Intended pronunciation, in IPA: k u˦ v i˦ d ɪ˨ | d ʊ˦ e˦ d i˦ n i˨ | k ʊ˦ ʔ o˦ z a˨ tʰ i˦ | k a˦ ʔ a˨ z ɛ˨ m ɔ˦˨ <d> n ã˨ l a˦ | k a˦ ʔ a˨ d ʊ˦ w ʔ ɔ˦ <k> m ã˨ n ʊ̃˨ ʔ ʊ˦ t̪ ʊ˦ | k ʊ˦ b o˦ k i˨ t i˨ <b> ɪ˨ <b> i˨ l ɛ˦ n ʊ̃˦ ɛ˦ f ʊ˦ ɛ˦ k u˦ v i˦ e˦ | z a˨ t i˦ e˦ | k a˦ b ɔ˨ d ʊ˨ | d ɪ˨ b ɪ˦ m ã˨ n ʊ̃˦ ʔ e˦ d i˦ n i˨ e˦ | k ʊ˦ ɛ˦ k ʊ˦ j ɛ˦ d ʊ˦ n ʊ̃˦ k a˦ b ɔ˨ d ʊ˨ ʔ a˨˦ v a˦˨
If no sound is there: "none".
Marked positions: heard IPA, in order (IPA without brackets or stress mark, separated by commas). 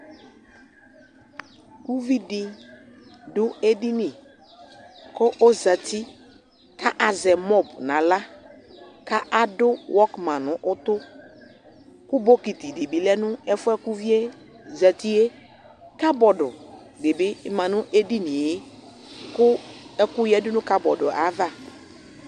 b, k, d, b